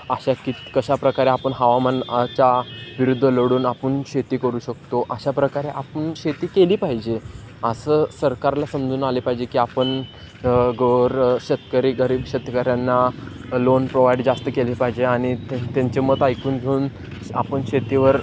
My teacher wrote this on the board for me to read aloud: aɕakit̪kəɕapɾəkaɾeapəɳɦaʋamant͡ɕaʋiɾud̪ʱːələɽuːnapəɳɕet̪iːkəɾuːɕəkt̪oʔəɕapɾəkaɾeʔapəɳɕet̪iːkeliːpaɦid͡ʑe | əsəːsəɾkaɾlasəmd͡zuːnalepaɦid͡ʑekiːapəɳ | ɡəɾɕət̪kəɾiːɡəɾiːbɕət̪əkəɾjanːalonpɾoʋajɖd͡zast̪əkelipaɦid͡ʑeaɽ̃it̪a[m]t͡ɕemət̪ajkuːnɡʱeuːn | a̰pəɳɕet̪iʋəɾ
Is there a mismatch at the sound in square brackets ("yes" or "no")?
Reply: yes